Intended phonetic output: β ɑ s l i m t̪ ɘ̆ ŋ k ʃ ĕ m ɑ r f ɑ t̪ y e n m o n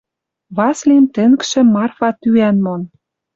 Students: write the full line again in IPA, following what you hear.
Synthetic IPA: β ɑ s l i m t̪ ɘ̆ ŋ k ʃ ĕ m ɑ r f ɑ t̪ y æ n m o n